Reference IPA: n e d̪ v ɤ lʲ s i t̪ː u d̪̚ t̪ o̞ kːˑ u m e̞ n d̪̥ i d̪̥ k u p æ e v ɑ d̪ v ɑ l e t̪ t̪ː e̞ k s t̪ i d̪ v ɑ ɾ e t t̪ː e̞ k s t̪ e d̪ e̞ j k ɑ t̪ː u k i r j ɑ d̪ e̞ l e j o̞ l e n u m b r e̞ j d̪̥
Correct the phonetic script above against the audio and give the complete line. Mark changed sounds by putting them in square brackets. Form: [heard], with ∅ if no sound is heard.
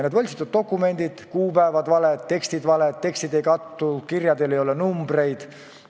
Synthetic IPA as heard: n e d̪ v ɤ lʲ s i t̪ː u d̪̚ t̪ o̞ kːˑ u m e̞ n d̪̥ i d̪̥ k [uː] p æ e v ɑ d̪ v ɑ l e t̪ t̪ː e̞ k s t̪ i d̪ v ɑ [l] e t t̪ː e̞ k s t̪ [i] d̪ e̞ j k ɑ t̪ː u k i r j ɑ d̪ e̞ l e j o̞ l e n u m b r e̞ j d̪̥